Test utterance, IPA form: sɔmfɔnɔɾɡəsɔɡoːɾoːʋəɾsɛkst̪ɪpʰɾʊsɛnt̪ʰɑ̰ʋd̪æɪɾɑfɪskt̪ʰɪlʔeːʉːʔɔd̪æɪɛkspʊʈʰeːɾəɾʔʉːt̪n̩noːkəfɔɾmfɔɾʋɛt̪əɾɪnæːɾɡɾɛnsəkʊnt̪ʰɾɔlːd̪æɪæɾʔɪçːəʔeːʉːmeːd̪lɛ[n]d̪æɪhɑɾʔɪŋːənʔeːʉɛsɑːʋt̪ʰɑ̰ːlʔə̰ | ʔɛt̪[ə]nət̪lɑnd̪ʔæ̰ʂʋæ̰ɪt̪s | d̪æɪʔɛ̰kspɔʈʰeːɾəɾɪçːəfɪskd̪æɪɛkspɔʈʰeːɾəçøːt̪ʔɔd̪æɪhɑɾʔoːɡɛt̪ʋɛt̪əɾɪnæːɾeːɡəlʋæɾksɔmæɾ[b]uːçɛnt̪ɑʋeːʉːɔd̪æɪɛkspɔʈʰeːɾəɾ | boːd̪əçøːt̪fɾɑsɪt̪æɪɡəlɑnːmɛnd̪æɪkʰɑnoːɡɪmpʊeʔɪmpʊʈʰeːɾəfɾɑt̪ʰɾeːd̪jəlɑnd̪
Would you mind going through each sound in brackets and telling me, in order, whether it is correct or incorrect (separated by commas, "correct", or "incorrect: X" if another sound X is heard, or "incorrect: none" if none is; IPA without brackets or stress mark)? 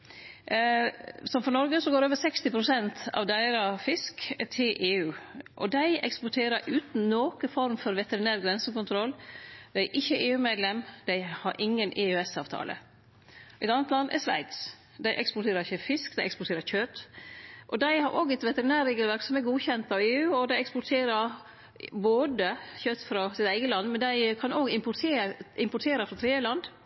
incorrect: m, incorrect: ɑ, incorrect: ɡ